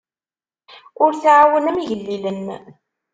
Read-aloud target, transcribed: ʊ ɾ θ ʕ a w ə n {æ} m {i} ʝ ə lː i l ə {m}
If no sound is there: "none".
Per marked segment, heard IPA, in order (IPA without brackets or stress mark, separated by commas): æ, i, n